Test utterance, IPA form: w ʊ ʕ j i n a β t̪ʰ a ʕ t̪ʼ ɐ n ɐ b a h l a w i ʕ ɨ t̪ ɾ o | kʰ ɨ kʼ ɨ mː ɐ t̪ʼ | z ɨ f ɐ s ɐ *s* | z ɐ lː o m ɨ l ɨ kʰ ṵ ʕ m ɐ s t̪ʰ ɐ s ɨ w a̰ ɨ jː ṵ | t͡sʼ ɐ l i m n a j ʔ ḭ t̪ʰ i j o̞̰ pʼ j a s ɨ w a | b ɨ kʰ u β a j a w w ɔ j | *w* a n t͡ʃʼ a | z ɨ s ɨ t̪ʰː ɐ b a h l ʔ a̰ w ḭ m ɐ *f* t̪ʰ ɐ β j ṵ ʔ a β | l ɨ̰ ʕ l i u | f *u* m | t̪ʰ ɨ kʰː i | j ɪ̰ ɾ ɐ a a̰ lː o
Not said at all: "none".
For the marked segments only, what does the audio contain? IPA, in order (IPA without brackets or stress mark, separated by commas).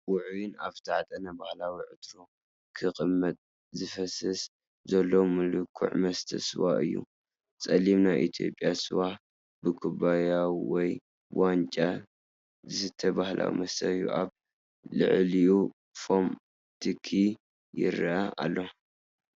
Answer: s, w, s, o